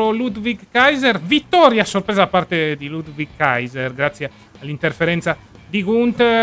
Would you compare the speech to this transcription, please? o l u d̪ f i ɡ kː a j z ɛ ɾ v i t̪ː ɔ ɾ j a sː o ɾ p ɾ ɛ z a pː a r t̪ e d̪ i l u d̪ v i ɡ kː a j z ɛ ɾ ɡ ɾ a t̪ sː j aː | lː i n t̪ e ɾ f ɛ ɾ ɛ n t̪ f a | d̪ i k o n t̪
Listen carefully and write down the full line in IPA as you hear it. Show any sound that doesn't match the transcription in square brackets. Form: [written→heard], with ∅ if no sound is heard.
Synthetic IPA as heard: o l u d̪ [f→v] i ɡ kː a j z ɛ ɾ v i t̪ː ɔ ɾ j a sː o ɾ p ɾ ɛ z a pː a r t̪ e d̪ i l u d̪ v i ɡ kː a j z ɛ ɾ ɡ ɾ a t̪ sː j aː | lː i n t̪ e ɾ f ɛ ɾ ɛ n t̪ [f→s] a | d̪ i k [o→u] n t̪